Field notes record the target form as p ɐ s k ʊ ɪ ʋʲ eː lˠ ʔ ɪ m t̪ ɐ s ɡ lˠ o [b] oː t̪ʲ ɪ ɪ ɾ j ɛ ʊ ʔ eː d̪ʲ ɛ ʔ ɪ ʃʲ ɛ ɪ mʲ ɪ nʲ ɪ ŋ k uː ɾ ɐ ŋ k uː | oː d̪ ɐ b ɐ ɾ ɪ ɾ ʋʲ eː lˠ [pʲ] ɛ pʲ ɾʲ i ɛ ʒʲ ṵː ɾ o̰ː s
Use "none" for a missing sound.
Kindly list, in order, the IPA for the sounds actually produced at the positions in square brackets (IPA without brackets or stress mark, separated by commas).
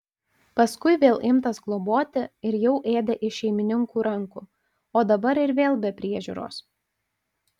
b, bʲ